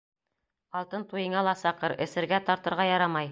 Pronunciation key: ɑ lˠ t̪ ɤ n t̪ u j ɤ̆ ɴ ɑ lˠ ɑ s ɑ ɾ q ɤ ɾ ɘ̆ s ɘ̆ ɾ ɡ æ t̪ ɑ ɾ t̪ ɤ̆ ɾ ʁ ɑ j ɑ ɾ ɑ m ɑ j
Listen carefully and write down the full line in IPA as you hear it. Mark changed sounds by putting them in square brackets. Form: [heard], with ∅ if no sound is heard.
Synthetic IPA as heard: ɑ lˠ t̪ ɤ n t̪ u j ɤ̆ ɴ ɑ lˠ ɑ s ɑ [∅] q ɤ ɾ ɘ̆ s ɘ̆ ɾ ɡ æ t̪ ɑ ɾ t̪ ɤ̆ ɾ ʁ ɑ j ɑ ɾ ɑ m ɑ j